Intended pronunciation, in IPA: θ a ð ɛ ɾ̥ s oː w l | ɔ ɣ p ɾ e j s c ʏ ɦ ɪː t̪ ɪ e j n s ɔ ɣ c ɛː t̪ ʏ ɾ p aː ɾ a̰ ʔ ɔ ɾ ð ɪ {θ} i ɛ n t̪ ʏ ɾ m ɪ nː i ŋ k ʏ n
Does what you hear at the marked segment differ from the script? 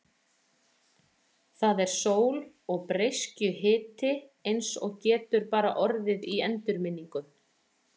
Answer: yes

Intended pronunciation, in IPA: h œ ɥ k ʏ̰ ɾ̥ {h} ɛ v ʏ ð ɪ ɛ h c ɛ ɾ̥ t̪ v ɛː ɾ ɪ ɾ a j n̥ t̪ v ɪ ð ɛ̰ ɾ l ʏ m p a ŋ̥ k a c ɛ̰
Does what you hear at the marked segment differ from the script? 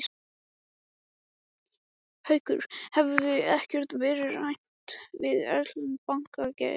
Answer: no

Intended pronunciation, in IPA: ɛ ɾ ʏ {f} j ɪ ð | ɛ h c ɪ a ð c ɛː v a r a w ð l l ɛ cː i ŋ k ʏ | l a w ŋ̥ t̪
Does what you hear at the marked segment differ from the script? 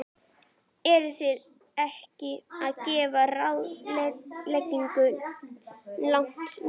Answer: yes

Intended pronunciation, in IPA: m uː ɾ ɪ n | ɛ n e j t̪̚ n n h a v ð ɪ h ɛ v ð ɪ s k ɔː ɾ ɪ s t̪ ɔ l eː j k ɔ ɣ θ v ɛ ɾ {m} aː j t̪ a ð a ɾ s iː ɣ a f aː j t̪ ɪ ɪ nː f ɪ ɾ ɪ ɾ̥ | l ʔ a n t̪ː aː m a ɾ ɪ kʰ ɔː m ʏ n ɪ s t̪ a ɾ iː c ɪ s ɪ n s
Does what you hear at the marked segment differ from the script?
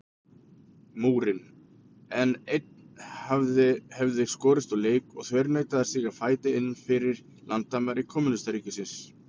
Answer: yes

